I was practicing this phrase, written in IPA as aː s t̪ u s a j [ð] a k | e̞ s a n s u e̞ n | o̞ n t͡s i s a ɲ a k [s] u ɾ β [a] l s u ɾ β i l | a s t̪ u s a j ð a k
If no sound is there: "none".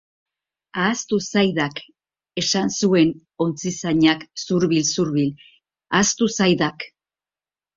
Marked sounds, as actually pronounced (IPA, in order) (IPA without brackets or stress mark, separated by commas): ð, s, i